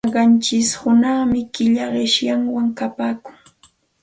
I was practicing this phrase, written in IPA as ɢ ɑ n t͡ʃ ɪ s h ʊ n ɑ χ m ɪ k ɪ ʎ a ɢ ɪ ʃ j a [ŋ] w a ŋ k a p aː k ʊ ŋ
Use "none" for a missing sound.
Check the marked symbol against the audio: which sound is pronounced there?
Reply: ŋ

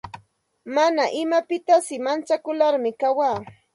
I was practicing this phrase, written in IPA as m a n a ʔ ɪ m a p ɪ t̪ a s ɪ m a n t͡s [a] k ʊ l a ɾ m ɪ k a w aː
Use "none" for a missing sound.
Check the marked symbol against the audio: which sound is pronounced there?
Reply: a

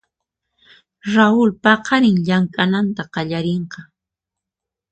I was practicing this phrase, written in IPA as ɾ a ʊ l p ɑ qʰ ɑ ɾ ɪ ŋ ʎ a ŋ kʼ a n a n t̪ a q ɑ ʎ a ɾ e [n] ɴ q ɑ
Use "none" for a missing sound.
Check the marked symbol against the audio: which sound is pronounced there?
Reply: none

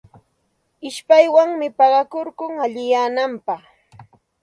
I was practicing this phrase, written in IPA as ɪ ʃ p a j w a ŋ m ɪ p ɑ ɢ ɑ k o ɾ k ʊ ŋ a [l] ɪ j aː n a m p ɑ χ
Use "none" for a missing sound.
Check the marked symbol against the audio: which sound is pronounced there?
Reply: ʎ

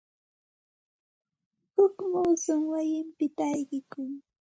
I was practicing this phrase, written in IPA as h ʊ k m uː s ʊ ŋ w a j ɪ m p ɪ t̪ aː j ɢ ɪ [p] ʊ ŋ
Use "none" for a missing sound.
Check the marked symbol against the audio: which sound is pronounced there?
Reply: k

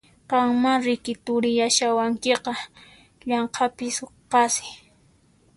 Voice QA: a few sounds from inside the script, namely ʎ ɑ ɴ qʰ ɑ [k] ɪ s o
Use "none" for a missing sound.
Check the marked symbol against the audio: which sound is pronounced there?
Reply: p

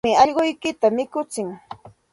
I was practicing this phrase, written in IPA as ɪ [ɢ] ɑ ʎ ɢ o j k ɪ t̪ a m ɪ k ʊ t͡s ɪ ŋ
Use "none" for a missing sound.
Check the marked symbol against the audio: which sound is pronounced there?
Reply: none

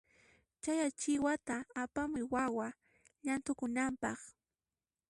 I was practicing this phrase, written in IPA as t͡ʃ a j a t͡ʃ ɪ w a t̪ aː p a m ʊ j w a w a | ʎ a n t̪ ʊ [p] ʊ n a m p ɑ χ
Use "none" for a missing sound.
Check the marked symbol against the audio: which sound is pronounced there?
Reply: k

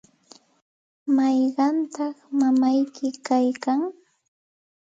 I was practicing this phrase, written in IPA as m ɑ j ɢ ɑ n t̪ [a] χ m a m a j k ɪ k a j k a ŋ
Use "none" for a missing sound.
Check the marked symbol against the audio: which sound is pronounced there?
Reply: ɑ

